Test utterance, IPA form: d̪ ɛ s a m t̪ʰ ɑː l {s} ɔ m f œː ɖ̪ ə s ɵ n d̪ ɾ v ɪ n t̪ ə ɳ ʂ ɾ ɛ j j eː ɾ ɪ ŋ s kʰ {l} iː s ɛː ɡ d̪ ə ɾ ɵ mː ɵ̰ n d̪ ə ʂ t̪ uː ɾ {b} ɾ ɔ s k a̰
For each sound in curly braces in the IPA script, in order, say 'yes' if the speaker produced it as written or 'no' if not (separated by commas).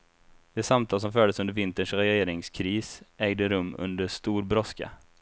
yes, no, yes